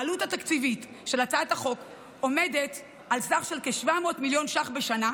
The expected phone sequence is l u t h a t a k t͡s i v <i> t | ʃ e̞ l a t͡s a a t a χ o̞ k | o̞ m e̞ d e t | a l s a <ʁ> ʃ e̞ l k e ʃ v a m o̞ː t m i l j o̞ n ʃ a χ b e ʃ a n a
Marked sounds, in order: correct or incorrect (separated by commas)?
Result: correct, incorrect